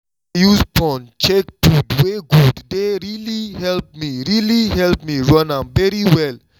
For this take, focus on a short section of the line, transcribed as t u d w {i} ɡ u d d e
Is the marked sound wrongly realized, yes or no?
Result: yes